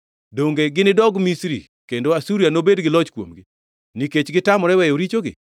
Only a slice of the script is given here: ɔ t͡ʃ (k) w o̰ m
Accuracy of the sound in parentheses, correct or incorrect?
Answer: correct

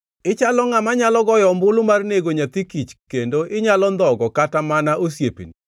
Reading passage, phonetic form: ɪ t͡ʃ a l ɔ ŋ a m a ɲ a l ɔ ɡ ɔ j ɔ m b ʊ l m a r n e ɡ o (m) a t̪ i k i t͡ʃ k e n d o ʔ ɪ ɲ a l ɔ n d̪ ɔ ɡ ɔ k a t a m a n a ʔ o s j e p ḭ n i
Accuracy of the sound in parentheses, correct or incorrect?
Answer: incorrect: ɲ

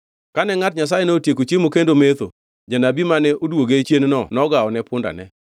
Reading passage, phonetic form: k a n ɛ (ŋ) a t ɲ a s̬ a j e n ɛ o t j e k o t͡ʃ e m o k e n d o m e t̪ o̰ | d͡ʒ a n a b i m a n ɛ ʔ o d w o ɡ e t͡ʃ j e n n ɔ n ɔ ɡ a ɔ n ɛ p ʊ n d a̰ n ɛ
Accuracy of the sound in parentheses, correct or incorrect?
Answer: correct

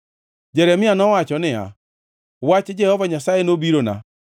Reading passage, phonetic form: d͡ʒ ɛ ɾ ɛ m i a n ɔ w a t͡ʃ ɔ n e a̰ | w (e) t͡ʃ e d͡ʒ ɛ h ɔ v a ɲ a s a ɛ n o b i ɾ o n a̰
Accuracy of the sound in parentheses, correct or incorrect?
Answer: incorrect: a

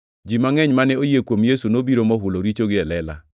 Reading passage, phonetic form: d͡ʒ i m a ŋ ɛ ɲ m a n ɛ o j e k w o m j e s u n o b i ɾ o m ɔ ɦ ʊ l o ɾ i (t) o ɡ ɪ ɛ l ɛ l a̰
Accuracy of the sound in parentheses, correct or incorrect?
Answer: incorrect: t͡ʃ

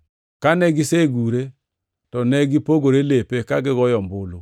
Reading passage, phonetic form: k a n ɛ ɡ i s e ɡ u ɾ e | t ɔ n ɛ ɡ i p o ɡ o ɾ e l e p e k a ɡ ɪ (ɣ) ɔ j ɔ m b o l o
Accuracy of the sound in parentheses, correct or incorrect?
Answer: correct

